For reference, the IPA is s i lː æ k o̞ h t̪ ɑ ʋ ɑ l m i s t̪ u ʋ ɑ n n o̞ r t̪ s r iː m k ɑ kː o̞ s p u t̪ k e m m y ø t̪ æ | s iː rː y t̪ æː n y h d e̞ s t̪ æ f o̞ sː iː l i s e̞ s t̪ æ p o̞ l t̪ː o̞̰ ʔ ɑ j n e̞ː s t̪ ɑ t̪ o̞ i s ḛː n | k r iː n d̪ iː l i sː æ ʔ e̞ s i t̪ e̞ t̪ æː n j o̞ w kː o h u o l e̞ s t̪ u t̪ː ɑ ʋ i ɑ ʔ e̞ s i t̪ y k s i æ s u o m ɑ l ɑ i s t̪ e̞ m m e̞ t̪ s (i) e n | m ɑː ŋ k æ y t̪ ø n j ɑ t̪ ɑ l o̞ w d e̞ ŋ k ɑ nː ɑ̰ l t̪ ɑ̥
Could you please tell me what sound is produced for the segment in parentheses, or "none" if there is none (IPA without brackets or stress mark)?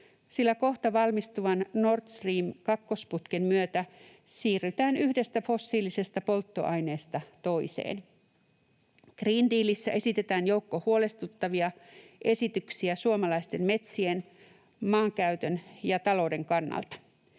i